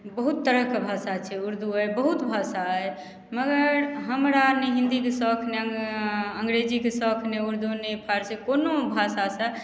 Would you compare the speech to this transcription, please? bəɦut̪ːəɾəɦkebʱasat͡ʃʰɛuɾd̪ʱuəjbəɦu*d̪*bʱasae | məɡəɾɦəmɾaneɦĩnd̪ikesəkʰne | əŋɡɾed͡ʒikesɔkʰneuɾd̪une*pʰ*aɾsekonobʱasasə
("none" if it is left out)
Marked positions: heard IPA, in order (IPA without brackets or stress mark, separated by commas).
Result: t̪, pʰ